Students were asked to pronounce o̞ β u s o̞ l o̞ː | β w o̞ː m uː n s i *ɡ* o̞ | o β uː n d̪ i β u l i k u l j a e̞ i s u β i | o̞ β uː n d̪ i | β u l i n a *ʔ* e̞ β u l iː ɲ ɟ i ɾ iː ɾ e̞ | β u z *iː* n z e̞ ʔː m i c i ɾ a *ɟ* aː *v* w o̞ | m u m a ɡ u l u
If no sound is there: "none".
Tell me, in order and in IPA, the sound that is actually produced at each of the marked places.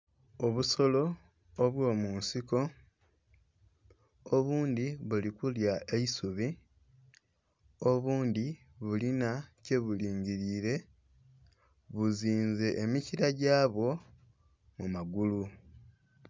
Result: k, c, iː, ɟ, β

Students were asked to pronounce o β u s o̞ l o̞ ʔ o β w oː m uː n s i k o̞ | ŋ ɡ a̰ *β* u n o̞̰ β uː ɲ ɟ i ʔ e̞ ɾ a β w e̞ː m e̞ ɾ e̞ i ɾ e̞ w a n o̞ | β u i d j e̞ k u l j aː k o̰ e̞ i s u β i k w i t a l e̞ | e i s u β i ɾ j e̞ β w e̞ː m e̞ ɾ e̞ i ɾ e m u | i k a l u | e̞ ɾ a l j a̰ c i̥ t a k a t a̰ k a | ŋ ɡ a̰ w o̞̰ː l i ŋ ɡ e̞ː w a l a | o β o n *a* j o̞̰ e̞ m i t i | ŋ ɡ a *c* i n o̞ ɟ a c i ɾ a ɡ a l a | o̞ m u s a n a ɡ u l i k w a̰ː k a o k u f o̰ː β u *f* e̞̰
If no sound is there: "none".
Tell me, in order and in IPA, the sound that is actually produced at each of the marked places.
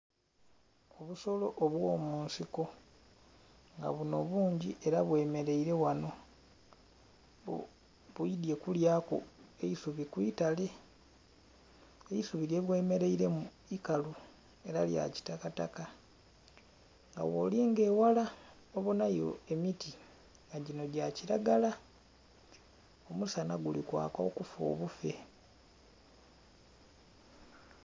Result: β, a, ɟ, f

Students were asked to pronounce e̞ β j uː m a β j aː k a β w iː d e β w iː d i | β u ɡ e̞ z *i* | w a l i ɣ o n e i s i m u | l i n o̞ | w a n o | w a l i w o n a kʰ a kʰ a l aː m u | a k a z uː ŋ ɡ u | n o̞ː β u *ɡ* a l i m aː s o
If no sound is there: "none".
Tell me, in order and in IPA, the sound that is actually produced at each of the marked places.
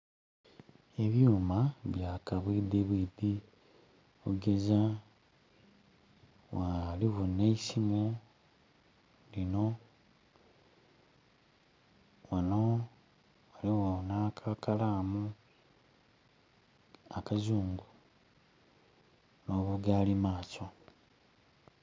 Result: a, ɡ

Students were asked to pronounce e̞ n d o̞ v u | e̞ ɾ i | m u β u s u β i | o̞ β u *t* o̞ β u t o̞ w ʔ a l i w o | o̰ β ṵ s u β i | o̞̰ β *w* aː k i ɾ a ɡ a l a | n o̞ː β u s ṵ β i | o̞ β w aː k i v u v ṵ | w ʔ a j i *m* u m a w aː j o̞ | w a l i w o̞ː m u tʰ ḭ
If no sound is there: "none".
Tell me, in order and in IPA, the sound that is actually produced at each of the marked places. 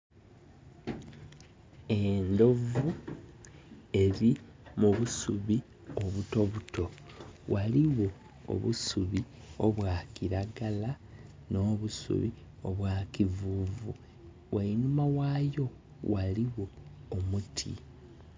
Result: t, w, n

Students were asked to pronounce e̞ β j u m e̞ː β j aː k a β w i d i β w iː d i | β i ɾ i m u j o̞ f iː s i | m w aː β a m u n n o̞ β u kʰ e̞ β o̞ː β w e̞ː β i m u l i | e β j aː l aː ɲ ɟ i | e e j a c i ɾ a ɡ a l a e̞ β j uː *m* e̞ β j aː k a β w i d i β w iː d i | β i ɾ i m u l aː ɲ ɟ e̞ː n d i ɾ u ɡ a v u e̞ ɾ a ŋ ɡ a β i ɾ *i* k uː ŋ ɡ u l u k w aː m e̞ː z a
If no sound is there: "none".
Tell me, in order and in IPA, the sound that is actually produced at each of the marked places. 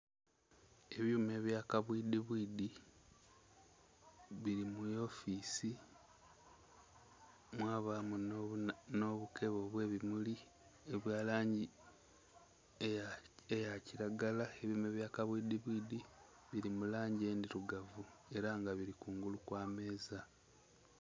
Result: m, i

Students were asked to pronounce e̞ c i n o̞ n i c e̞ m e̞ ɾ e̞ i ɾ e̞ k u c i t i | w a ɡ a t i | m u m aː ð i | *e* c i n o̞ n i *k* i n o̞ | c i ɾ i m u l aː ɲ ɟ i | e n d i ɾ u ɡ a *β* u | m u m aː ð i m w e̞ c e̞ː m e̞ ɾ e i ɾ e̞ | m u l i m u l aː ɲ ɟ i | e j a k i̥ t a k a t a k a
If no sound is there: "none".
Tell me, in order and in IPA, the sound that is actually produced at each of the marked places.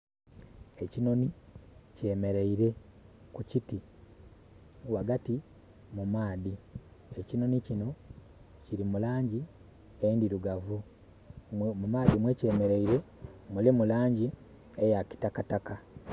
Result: e, c, v

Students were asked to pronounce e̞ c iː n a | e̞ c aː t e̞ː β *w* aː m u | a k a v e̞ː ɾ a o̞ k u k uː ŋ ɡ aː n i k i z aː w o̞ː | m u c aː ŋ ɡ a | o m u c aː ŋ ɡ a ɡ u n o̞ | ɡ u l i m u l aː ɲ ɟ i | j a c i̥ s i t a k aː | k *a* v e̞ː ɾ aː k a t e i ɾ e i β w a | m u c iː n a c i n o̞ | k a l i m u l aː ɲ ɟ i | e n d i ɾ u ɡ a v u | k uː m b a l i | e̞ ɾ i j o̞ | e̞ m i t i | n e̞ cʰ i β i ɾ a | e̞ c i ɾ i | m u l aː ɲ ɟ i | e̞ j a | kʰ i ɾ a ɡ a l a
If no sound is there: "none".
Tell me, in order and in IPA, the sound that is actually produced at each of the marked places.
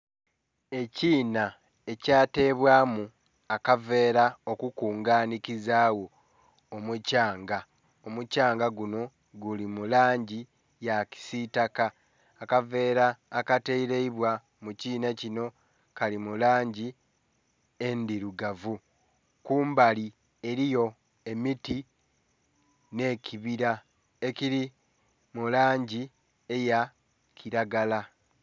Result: w, a

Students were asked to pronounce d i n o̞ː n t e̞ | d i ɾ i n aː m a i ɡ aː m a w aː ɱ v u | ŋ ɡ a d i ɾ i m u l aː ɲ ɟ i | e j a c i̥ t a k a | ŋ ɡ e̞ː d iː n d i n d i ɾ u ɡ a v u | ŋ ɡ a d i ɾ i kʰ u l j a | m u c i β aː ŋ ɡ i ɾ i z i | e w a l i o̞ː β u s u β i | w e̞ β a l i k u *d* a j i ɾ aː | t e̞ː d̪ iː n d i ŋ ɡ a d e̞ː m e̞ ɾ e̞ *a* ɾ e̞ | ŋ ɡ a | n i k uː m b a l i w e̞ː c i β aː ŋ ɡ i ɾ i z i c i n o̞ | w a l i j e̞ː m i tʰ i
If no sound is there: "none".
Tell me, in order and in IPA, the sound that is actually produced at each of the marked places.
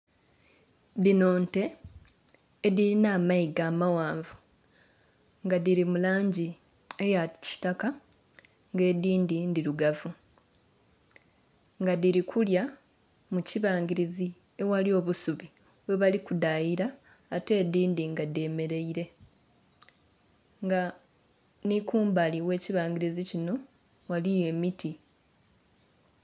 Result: d, i

